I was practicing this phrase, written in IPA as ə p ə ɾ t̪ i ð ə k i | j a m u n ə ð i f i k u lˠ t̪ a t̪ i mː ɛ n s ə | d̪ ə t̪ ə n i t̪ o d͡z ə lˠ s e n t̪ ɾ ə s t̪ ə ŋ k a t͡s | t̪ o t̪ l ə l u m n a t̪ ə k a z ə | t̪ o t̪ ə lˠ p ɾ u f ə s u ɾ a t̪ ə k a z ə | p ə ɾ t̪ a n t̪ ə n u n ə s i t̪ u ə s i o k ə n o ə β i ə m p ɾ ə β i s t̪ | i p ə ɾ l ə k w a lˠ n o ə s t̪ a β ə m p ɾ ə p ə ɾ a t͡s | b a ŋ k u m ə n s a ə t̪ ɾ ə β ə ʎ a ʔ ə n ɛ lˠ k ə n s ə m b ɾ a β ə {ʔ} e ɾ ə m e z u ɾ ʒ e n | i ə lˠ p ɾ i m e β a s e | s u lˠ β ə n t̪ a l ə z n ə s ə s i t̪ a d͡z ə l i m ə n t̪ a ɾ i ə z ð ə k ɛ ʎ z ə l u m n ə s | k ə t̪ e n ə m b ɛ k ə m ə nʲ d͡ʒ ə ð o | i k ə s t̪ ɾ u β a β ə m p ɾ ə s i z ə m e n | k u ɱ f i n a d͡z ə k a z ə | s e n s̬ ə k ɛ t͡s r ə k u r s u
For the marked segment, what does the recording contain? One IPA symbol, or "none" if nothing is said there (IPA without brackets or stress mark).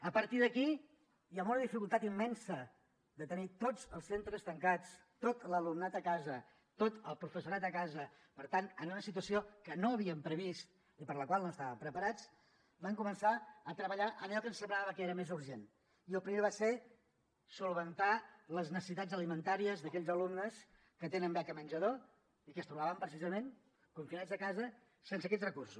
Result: k